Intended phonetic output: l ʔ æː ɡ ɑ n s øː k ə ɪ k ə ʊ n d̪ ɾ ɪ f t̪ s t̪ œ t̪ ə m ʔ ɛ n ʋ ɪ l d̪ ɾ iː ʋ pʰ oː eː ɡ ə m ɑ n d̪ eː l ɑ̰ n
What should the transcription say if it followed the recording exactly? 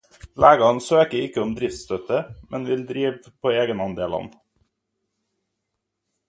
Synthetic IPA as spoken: l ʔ æː ɡ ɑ n s øː k ə ɪ k ə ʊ m d̪ ɾ ɪ f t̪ s t̪ œ t̪ ə m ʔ ɛ n ʋ ɪ l d̪ ɾ iː ʋ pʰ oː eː ɡ ə n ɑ n d̪ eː l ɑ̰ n